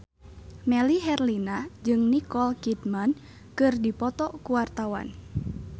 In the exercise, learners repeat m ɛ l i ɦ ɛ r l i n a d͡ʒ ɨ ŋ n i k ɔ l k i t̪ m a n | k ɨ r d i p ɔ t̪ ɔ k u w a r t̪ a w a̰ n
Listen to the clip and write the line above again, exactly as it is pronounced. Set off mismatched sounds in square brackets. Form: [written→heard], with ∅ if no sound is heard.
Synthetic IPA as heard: m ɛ l i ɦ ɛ r l i n a d͡ʒ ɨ ŋ n i k ɔ l k i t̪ m a n | k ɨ r d i p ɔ t̪ ɔ k u w a r t̪ a w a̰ n